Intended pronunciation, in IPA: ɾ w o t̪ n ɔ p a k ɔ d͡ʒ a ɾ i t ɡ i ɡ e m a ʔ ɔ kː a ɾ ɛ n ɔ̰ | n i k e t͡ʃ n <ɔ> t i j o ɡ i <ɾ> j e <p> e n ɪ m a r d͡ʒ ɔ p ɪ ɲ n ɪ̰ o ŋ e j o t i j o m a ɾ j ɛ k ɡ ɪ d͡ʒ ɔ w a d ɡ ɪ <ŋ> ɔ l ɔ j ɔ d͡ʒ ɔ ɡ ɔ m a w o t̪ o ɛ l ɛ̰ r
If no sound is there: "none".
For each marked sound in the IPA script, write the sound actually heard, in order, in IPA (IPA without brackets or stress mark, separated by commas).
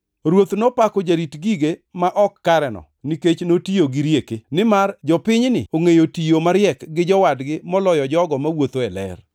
o, ɾ, k, m